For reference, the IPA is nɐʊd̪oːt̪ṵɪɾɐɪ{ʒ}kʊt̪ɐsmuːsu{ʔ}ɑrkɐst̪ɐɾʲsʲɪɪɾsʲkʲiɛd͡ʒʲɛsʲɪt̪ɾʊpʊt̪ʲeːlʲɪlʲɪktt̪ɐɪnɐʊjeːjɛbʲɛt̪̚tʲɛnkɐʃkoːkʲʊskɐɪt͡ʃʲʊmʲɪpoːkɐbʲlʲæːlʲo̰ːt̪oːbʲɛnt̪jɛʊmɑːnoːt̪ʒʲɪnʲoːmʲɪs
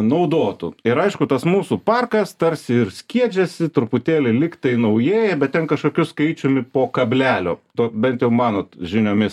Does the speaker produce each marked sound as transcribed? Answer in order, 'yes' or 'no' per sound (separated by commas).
no, no